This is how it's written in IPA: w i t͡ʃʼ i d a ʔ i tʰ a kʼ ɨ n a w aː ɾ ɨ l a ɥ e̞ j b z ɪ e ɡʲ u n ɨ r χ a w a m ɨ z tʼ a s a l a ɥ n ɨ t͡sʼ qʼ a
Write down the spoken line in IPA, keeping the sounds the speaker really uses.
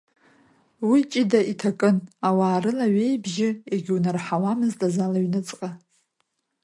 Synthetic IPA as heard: w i t͡ʃʼ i d a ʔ i tʰ a kʼ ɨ n a w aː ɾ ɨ l a ɥ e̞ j b ʒ ɪ e ɡʲ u n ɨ r ħ a w a m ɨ z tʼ a z a l a ɥ n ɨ t͡sʼ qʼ a